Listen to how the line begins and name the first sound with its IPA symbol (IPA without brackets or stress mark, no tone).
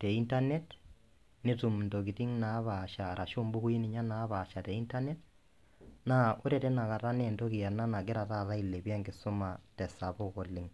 t